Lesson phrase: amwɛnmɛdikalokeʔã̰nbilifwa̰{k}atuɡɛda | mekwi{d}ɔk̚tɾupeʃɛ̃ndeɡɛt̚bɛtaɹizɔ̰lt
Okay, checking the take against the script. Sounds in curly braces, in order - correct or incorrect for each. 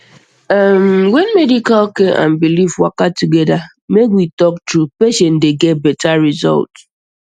correct, incorrect: t

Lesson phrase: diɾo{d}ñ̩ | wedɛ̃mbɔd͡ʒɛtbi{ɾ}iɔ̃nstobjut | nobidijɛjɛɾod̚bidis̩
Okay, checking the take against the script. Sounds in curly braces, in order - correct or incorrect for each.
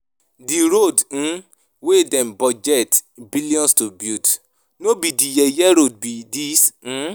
correct, incorrect: l

